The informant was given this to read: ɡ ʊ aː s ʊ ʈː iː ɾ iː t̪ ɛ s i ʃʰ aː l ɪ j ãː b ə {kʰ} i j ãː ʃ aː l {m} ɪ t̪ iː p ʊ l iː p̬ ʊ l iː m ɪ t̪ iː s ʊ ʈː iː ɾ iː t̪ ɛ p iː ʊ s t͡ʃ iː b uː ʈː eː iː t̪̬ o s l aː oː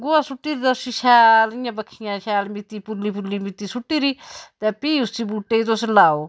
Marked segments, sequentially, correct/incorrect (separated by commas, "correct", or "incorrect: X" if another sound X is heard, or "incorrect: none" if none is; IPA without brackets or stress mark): correct, correct